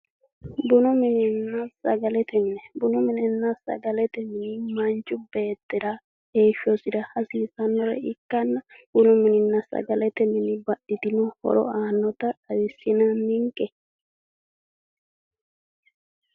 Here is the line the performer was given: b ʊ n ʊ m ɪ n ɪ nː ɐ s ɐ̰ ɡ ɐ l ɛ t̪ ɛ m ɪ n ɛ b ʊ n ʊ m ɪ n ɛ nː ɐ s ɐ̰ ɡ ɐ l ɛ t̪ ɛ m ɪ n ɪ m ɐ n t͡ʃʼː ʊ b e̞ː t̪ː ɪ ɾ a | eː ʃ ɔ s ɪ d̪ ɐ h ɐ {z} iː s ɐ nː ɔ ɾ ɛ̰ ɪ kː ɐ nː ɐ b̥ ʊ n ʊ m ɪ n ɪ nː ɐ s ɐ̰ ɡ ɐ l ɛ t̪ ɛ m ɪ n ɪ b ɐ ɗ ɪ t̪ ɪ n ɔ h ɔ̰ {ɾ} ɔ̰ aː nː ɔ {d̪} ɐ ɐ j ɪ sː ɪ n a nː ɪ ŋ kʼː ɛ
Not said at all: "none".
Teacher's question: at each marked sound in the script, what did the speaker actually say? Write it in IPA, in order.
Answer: s, ɾ, t̪

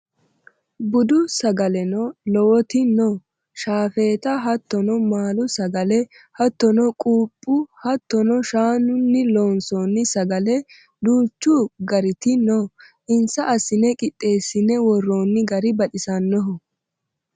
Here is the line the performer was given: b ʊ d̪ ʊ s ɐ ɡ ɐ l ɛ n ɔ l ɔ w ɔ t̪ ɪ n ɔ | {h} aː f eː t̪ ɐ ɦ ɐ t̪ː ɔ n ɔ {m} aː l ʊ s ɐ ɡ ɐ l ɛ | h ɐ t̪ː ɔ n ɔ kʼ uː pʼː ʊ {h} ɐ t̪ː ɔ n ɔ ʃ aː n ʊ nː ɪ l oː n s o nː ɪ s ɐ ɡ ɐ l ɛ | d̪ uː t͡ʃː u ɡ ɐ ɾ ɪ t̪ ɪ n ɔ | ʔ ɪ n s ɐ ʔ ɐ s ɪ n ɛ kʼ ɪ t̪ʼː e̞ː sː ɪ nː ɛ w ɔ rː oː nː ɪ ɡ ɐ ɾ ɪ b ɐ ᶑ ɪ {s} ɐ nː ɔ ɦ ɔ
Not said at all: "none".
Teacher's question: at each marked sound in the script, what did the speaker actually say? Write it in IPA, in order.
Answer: ʃ, m, h, s

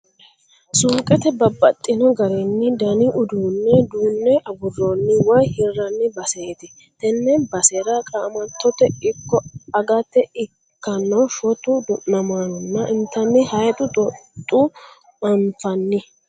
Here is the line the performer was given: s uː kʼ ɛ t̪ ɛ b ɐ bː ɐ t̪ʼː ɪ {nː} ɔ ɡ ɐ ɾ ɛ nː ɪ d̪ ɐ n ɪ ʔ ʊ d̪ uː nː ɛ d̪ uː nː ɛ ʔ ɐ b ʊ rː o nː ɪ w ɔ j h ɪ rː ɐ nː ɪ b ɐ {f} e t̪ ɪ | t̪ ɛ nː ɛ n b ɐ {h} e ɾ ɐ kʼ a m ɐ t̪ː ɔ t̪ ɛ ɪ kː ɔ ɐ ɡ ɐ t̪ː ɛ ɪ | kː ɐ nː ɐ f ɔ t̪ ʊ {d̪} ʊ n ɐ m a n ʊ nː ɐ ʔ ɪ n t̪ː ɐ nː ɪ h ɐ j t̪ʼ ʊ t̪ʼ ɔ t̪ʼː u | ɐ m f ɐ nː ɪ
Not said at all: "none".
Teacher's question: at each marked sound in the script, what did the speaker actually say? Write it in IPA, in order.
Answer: n, s, s, d̪

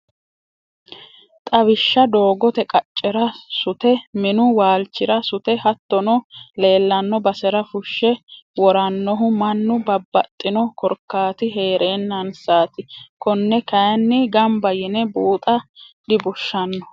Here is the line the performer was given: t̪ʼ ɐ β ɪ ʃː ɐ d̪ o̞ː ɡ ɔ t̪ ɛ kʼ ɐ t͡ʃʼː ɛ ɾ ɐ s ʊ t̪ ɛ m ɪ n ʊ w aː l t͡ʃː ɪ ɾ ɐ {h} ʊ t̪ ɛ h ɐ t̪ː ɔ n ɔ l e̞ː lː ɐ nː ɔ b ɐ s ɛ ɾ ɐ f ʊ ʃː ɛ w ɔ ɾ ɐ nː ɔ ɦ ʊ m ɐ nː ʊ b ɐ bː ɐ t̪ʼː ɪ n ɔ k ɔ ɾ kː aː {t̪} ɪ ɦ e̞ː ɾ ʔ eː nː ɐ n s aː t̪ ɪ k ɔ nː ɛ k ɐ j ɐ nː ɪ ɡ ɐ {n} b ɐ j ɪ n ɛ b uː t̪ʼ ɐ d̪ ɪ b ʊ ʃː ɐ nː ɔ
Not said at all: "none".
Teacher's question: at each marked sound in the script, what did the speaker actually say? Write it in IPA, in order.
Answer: s, t̪, m

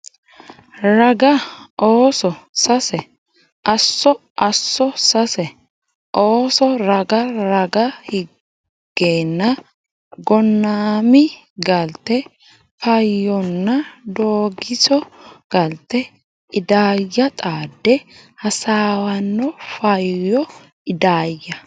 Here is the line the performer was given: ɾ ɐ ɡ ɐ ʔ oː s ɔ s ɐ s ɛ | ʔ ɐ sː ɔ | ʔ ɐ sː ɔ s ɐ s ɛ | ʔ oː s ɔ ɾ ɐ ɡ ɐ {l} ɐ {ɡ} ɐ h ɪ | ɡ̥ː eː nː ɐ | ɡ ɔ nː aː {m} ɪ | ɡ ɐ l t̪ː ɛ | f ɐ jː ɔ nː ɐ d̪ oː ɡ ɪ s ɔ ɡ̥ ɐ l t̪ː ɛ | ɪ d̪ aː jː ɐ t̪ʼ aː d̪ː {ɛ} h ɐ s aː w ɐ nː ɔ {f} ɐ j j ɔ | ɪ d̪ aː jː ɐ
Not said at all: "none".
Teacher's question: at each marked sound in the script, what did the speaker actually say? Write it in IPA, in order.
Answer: ɾ, ɡ, m, ɛ, f

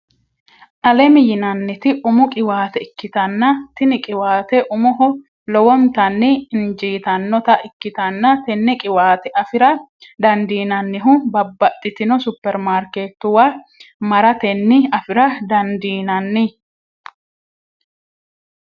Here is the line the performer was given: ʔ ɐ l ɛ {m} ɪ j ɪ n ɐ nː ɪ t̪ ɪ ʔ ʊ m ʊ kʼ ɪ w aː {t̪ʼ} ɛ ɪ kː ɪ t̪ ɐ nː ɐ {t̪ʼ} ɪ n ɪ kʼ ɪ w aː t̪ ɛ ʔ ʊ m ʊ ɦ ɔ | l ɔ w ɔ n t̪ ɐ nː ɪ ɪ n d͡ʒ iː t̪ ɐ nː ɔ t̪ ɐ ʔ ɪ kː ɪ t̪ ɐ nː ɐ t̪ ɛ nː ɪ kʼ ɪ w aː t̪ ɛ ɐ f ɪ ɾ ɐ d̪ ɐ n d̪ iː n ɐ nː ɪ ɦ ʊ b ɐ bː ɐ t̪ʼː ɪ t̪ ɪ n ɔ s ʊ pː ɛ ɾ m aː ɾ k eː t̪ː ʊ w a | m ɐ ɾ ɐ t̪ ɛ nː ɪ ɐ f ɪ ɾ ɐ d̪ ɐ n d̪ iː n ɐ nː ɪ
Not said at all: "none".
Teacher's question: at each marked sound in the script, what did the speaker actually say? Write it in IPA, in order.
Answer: m, t̪, t̪

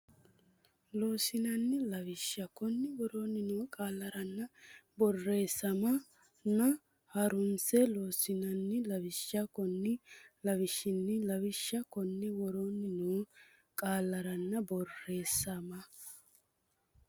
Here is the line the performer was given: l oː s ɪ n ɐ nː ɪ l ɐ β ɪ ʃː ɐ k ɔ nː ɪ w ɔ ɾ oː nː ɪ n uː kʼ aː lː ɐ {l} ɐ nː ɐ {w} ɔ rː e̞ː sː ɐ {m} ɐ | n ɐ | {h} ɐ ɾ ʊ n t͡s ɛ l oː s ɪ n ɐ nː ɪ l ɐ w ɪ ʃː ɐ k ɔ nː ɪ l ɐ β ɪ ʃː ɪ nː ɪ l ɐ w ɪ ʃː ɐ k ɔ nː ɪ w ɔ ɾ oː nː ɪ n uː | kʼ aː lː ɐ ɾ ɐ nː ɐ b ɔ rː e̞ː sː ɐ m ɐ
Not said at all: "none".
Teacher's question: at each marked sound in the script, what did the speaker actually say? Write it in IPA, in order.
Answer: ɾ, b, m, h

